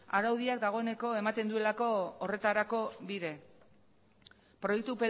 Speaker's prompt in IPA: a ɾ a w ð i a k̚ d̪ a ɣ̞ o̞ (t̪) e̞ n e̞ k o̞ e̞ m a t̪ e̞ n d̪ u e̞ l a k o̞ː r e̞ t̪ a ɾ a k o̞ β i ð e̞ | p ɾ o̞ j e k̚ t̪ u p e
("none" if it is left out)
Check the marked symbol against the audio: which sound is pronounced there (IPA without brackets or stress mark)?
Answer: none